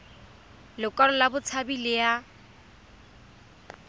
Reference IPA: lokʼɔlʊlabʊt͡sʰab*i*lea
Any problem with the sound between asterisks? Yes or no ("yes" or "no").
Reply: no